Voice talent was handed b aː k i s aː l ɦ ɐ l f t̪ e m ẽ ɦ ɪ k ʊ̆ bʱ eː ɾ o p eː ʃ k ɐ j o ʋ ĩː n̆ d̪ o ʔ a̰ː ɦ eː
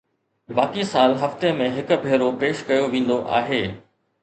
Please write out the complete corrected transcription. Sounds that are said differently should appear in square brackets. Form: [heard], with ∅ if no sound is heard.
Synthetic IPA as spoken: b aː k i s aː l ɦ ɐ [∅] f t̪ e m ẽ ɦ ɪ k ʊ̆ bʱ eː ɾ o p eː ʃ k ɐ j o ʋ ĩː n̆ d̪ o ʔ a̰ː ɦ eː